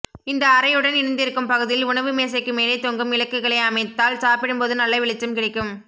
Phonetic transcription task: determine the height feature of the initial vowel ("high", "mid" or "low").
high